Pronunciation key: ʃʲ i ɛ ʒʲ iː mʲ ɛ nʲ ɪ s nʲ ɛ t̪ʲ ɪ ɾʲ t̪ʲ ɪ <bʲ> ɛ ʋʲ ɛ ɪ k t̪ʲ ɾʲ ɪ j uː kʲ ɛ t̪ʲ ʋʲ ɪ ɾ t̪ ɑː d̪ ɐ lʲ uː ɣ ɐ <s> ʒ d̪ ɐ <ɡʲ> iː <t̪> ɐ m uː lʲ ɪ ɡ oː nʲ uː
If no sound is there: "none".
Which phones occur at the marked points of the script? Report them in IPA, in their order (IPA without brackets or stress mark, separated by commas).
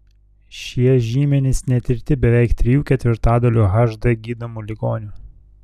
bʲ, none, ɡʲ, d̪